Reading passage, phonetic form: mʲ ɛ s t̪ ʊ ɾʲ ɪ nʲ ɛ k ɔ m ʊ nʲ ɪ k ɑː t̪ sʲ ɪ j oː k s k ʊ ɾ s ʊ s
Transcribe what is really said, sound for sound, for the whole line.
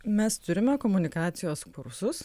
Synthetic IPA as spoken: mʲ ɛ s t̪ ʊ ɾʲ ɪ mʲ ɛ k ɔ m ʊ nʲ ɪ k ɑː t̪ sʲ ɪ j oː s k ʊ ɾ s ʊ s